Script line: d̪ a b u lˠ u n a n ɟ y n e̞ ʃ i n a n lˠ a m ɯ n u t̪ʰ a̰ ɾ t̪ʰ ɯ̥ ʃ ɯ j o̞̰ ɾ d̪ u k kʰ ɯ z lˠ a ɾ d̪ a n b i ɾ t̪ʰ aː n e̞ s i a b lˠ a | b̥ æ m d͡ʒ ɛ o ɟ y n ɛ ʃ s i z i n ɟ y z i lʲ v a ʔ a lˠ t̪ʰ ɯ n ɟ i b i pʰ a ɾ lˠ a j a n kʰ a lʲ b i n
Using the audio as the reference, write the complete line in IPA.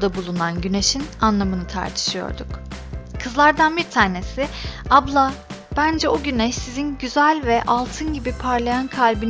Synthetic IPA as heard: d̪ a b u lˠ u n a n ɟ y n e̞ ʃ i n a n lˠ a m ɯ n ɯ t̪ʰ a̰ ɾ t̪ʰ ɯ̥ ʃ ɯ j o̞̰ ɾ d̪ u k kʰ ɯ z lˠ a ɾ d̪ a n b i ɾ t̪ʰ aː n e̞ s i a b lˠ a | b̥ æ n d͡ʒ ɛ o ɟ y n ɛ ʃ s i z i n ɟ y z æ lʲ v ɛ ʔ a lˠ t̪ʰ ɯ n ɟ i b i pʰ a ɾ lˠ a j a n kʰ a lʲ b i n